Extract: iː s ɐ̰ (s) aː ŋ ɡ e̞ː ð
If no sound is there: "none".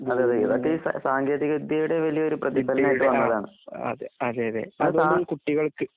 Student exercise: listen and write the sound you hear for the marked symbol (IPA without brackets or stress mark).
s